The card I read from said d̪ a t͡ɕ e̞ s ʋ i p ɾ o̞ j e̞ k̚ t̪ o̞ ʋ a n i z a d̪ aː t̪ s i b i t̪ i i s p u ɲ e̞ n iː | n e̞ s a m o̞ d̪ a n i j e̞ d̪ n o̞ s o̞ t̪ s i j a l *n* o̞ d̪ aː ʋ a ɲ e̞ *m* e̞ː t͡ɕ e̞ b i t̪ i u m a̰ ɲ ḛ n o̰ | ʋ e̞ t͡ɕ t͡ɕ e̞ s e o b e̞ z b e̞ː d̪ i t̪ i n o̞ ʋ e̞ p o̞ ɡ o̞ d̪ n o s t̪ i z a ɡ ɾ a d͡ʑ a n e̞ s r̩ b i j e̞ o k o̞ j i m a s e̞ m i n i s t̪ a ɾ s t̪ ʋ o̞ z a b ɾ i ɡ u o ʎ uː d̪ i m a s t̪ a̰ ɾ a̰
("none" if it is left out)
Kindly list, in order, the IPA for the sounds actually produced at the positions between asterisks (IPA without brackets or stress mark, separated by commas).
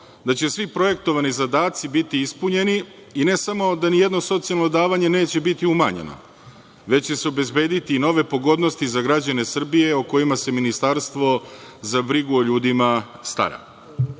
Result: n, n